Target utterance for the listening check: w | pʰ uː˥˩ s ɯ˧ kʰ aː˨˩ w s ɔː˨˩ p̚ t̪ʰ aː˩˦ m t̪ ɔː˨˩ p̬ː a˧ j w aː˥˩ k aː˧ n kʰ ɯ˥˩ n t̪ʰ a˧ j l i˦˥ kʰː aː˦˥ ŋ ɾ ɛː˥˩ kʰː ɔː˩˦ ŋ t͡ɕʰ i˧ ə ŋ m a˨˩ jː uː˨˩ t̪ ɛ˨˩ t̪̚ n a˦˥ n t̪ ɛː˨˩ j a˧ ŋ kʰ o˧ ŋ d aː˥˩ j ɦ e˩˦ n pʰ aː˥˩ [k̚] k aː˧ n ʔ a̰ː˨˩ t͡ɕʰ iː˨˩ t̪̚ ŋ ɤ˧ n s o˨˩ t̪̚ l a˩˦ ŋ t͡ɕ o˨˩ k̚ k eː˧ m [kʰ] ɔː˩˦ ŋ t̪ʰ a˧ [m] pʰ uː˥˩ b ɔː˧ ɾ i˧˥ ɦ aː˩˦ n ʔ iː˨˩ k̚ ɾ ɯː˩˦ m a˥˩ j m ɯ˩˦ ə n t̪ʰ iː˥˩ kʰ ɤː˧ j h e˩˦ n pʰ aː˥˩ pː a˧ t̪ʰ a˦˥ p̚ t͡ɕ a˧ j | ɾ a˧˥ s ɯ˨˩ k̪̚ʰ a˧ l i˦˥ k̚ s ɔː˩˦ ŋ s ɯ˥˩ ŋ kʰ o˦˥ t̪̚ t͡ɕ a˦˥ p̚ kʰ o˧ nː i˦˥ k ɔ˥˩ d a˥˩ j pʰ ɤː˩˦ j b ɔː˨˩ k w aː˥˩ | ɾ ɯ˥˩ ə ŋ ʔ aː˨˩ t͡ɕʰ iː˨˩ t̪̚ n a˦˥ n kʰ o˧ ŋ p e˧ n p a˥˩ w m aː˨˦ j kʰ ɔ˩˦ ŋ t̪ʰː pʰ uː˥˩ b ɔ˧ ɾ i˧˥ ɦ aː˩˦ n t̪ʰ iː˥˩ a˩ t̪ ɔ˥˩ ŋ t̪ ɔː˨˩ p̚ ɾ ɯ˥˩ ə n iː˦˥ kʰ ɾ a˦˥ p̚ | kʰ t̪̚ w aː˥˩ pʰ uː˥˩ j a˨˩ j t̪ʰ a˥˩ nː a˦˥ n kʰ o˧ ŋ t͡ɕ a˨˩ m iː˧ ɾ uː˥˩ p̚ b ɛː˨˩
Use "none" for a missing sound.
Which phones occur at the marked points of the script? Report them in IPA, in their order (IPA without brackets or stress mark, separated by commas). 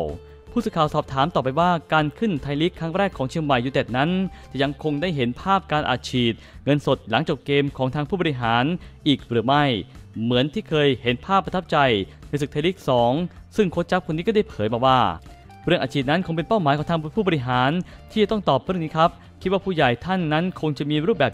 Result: p̚, kʰ, ŋ